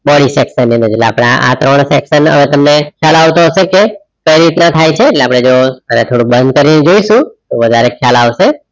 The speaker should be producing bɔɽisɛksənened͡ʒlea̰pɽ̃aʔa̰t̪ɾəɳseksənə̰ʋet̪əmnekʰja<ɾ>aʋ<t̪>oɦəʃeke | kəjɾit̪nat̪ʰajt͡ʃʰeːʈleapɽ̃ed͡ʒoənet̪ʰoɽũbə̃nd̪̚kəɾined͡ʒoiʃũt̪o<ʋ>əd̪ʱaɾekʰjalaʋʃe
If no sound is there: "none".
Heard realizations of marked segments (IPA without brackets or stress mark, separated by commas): l, t̪, ʋ